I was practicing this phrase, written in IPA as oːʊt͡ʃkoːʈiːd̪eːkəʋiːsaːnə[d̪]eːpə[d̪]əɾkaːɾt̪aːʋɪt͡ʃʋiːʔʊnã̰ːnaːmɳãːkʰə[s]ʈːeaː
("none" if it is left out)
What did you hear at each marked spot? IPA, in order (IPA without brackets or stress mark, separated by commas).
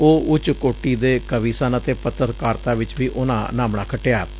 t̪, t̪, none